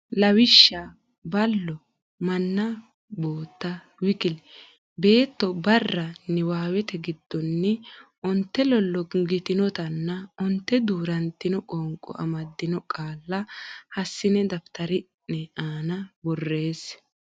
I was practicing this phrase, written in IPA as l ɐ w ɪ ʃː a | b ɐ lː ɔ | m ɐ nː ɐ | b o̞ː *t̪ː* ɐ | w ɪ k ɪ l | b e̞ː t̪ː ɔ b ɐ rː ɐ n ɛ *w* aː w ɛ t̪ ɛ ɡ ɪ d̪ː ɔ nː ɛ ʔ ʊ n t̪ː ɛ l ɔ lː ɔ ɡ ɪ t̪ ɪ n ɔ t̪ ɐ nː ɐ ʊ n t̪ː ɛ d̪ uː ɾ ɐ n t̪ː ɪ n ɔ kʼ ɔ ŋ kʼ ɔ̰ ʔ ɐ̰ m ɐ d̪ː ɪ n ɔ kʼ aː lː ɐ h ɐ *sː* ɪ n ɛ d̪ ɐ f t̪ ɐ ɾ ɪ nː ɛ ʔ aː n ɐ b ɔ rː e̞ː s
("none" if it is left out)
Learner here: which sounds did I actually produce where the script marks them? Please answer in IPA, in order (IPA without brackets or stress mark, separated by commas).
t̪ː, w, sː